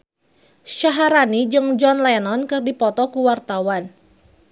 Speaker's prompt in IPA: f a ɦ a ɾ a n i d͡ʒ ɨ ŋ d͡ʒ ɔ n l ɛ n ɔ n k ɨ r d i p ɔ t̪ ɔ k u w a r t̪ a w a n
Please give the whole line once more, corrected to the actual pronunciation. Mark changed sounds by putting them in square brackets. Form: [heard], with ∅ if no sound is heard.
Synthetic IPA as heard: [ʃ] a ɦ a ɾ a n i d͡ʒ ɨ ŋ d͡ʒ ɔ n l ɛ n ɔ n k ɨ r d i p ɔ t̪ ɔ k u w a r t̪ a w a n